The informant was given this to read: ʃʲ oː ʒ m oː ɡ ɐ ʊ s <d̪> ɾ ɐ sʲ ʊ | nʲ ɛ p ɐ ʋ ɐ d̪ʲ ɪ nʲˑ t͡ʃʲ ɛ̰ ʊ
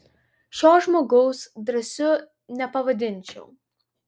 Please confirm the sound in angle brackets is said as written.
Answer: yes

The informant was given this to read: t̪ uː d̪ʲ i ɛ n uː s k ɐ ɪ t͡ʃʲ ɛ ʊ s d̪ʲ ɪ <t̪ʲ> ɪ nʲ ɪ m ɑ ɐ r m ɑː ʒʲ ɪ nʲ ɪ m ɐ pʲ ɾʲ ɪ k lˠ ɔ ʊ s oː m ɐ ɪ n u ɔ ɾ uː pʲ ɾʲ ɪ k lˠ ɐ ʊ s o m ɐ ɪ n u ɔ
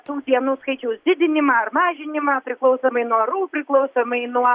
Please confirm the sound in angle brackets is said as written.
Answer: no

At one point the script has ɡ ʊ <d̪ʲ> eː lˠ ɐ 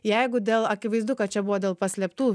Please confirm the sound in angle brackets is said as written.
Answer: yes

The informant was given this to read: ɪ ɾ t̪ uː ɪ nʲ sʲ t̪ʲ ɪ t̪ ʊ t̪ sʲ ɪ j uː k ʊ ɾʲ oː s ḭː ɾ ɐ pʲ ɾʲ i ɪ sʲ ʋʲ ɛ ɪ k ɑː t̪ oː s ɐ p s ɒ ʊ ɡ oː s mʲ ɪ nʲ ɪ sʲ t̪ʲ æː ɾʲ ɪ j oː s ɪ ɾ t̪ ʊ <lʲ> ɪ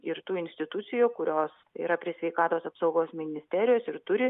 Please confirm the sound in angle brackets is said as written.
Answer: no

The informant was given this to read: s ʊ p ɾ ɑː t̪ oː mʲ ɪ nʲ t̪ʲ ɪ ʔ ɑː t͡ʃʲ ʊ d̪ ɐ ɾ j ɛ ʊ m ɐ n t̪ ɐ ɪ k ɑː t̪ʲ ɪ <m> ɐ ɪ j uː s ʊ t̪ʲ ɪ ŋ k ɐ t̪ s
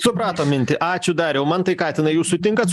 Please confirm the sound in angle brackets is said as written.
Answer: no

